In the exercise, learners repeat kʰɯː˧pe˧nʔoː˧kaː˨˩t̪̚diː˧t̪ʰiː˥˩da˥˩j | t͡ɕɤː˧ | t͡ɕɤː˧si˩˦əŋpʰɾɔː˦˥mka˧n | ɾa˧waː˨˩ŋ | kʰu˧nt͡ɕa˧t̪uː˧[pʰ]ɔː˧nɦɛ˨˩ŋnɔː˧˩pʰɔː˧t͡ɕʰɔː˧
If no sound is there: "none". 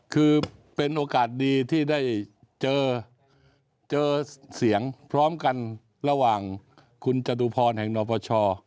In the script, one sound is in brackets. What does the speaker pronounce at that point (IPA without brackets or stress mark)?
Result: pʰ